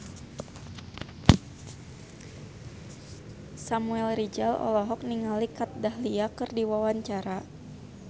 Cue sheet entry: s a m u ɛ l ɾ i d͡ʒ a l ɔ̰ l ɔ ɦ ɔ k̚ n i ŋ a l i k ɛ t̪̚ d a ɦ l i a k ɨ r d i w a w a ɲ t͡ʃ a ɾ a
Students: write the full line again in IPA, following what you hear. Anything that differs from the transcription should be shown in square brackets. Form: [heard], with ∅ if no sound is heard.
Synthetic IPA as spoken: s a m u ɛ l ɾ i d͡ʒ a l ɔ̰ l ɔ ɦ ɔ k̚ n i ŋ a l i k [a] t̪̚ d a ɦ l i a k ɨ r d i w a w a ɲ t͡ʃ a ɾ a